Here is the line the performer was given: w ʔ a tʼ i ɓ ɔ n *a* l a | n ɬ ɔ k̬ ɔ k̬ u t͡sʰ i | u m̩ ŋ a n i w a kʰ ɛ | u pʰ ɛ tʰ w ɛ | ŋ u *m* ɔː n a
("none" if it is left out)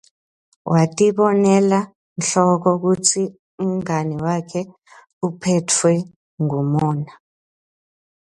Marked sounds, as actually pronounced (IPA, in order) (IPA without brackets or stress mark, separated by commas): ɛ, m